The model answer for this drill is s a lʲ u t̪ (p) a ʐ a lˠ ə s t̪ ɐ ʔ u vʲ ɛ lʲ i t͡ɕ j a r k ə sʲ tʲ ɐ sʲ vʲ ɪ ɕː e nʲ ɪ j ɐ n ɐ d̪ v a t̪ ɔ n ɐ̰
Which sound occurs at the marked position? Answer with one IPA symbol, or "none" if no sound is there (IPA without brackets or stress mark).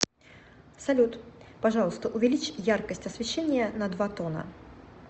p